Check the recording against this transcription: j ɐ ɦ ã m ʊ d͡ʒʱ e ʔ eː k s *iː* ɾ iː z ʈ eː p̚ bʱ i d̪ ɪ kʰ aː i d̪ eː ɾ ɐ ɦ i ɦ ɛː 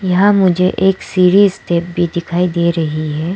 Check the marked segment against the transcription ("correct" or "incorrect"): correct